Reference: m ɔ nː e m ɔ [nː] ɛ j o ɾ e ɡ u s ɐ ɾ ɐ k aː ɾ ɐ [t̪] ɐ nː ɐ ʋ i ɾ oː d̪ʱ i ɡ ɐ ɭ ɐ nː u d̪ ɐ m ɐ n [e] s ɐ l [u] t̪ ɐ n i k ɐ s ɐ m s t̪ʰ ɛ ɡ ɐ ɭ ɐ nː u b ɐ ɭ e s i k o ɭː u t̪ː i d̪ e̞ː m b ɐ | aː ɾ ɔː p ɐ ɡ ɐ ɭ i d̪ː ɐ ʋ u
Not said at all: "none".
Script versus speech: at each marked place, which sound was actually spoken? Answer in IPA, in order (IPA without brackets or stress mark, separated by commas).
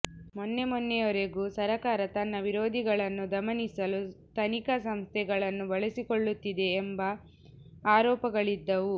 nː, t̪, i, u